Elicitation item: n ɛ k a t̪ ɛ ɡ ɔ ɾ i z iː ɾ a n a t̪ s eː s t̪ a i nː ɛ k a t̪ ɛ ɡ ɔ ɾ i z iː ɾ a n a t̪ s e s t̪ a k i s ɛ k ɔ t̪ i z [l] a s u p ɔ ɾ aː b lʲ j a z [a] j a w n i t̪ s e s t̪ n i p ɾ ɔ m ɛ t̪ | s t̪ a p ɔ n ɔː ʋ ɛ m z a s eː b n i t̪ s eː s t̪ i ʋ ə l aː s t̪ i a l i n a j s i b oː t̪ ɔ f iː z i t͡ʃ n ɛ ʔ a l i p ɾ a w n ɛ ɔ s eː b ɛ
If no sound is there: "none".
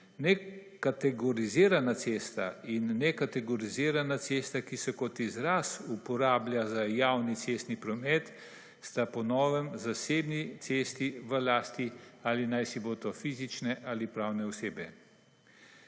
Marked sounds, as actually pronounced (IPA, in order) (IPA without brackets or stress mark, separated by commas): ɾ, a